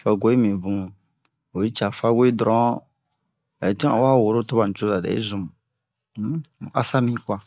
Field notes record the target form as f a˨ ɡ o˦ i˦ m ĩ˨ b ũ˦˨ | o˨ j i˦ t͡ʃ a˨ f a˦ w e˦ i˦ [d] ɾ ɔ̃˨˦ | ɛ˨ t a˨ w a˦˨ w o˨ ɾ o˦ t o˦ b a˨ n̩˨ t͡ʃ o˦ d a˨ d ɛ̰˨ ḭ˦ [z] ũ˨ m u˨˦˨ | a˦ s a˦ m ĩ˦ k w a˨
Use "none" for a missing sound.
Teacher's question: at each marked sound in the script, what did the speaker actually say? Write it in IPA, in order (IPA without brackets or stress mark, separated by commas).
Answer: d, z